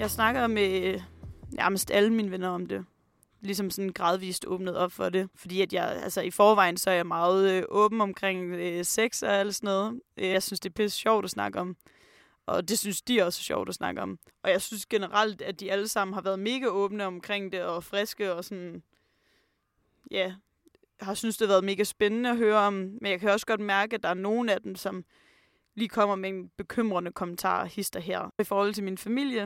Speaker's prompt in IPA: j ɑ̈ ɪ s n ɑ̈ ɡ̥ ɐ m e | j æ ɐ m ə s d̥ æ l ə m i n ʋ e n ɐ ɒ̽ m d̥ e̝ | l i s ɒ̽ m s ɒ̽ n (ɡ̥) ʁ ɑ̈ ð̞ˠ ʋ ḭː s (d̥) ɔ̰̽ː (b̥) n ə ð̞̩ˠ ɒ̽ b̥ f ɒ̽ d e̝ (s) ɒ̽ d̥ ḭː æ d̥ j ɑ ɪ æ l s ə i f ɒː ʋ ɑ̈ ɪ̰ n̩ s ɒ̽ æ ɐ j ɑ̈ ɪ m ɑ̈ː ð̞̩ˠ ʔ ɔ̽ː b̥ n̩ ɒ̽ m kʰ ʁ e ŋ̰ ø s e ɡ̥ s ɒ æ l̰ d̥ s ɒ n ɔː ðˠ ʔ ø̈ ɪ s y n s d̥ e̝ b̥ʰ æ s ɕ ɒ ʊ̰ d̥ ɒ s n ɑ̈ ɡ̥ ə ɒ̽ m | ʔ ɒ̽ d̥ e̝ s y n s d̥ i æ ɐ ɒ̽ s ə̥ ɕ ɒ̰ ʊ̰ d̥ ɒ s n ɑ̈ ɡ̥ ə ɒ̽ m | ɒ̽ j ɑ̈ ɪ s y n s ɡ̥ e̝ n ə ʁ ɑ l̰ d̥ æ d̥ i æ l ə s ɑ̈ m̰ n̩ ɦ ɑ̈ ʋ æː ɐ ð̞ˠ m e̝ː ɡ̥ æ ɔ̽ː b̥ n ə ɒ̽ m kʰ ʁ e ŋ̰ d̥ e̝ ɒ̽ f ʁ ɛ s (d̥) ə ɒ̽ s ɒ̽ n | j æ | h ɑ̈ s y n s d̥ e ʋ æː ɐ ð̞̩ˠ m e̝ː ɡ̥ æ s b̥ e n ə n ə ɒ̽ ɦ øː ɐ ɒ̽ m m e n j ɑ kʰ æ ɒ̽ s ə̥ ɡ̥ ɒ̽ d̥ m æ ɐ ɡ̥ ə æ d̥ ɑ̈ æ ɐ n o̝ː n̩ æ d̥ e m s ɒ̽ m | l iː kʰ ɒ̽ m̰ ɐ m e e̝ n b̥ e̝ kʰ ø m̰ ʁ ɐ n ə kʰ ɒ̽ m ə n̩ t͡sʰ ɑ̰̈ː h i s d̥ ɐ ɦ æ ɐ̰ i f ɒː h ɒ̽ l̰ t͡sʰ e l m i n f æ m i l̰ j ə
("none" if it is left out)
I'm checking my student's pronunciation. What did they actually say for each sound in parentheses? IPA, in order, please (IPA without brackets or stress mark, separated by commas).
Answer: ɡ̥, d̥, b̥, f, ɡ̥